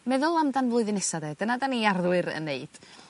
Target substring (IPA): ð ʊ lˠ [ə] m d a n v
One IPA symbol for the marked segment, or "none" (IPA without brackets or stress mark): a